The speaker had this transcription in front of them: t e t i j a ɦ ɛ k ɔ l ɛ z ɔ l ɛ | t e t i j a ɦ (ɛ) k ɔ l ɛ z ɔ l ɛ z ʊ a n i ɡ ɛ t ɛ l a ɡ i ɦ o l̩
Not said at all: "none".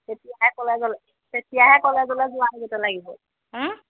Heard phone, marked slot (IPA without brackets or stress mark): ɛ